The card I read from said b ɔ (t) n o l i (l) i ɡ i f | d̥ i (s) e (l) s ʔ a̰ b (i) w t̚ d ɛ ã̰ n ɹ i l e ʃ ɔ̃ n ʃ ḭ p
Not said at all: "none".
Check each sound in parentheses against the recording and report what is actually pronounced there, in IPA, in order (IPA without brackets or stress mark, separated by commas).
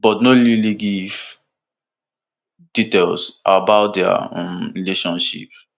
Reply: t, l, t, l, a